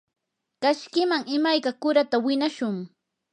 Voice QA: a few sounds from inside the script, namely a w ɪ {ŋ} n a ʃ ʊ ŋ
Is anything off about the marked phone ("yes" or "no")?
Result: yes